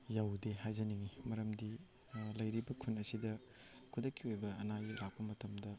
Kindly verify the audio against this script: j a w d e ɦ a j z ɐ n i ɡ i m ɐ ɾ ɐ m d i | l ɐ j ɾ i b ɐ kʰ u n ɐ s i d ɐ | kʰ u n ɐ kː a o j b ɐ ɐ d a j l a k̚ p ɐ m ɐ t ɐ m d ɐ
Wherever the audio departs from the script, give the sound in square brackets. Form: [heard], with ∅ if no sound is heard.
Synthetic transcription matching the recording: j a w d e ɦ a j z ɐ n i [ŋ] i m ɐ ɾ ɐ m d i | l ɐ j ɾ i b ɐ kʰ u n ɐ s i d ɐ | kʰ u [d] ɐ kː [i] o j b ɐ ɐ [n] a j l a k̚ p ɐ m ɐ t ɐ m d ɐ